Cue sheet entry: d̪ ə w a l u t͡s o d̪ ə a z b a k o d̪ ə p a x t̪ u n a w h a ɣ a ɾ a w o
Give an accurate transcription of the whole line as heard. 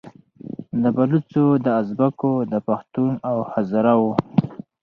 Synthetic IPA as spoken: d̪ ə b a l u t͡s o d̪ ə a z b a k o d̪ ə p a x t̪ u n a w h a z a ɾ a w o